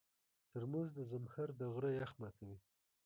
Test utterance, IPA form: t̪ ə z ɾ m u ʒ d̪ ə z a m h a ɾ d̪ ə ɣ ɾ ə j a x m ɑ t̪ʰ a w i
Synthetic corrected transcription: t̪ ə ɾ m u z d̪ ə z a m h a ɾ d̪ ə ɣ ɾ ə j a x m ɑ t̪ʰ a w i